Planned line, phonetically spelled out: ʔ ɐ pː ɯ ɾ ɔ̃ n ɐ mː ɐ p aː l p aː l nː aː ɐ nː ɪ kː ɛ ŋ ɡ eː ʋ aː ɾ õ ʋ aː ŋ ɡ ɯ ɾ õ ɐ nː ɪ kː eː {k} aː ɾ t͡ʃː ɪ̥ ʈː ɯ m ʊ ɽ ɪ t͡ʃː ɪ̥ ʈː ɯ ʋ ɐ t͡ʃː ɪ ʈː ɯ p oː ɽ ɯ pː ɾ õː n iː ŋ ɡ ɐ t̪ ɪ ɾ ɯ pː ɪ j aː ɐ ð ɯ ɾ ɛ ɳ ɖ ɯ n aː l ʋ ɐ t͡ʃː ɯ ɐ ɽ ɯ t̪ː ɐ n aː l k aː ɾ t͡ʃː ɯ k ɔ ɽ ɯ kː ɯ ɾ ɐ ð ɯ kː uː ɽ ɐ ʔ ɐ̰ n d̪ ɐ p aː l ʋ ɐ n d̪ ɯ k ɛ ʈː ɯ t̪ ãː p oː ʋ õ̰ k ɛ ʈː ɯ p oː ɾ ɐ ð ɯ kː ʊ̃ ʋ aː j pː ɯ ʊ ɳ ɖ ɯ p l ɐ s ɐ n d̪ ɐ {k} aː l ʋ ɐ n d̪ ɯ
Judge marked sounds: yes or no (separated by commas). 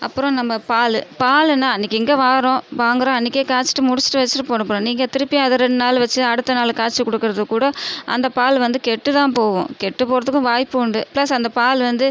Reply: yes, no